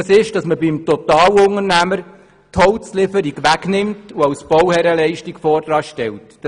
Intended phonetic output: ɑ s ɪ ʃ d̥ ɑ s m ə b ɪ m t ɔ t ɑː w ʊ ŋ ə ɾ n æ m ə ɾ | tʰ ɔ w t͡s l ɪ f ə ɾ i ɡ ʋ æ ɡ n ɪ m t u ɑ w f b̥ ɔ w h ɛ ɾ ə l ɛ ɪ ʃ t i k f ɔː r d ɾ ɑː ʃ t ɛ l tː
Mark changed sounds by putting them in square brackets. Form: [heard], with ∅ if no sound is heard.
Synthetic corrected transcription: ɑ s ɪ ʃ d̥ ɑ s m ə b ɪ m t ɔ t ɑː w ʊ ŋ ə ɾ n æ m ə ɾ | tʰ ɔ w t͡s l ɪ f ə ɾ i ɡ ʋ æ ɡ n ɪ m t u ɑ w [s] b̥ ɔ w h ɛ ɾ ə l ɛ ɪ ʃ t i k f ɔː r d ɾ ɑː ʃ t ɛ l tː